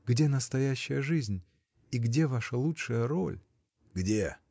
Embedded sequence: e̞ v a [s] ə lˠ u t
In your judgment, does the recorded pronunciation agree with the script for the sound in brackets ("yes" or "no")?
no